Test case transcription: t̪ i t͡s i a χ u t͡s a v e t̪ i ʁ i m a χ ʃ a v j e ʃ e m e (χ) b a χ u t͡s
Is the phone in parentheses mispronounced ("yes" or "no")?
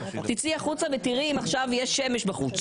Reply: yes